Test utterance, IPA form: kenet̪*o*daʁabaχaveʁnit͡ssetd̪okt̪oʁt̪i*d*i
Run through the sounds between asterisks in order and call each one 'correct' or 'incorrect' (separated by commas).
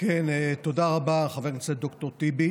correct, incorrect